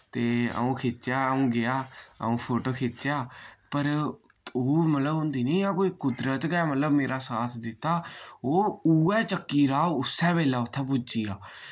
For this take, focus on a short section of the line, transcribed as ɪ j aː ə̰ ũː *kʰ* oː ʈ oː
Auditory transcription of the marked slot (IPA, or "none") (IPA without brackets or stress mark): pʰ